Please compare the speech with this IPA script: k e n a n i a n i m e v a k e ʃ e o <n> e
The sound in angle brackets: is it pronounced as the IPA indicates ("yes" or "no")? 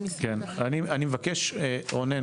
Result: yes